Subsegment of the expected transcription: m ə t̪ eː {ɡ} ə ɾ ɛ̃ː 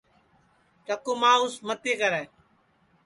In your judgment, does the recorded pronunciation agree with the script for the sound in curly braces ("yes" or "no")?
no